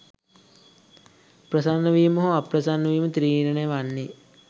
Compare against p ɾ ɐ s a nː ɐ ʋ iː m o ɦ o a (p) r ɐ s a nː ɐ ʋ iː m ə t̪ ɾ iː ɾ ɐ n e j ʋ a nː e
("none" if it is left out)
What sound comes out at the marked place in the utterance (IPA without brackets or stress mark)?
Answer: p